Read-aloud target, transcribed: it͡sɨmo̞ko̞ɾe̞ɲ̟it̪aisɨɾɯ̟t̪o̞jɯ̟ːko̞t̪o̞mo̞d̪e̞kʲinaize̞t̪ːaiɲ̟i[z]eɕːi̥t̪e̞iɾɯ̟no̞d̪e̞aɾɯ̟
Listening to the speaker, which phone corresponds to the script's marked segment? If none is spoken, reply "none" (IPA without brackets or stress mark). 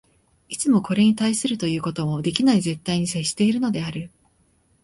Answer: s